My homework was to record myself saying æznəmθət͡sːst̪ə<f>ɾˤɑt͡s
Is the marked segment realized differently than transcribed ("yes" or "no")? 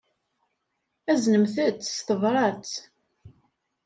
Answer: yes